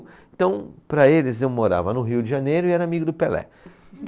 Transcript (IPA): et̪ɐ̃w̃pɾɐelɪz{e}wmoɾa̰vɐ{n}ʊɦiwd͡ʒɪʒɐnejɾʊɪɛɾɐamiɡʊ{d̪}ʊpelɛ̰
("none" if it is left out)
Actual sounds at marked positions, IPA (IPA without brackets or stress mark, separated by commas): e, n, d̪